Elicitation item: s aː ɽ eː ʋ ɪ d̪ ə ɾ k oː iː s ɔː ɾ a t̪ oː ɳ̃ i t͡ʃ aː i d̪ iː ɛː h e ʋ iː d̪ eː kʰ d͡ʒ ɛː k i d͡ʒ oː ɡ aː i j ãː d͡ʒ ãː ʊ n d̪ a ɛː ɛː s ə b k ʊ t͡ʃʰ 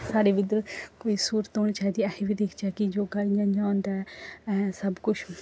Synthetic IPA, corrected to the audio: s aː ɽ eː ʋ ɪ d̪ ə ɾ k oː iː s uː ɾ ə t̪ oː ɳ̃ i t͡ʃ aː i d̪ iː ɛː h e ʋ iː d̪ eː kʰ d͡ʒ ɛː k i d͡ʒ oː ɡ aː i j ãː d͡ʒ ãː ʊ n d̪ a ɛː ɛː s ə b k ʊ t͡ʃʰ